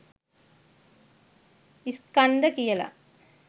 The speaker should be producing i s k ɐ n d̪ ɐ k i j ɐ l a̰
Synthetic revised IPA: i s k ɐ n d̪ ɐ k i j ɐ l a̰